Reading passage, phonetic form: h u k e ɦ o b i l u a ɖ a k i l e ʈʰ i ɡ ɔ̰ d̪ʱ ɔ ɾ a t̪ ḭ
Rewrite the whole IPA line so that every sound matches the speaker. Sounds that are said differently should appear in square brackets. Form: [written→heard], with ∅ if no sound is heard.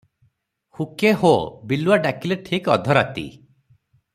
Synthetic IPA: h u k e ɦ o b i l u a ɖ a k i l e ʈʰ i [ɡ→k] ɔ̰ d̪ʱ ɔ ɾ a t̪ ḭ